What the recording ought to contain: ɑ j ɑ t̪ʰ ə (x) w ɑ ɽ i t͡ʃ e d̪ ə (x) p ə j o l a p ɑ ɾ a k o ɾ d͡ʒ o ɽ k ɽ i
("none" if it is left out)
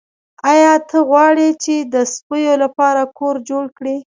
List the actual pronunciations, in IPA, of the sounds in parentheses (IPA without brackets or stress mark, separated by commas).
ɣ, s